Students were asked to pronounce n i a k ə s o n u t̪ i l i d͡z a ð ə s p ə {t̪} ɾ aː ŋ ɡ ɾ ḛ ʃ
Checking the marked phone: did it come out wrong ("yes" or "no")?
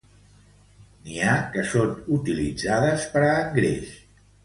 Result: yes